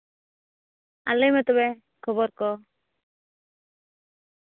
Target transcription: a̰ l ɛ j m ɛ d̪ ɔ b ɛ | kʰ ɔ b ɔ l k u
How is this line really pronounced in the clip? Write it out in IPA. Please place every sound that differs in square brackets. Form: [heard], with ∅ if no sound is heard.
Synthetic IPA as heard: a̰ l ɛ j m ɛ [t̪] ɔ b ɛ | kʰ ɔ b ɔ [ɾ] k [ɔ]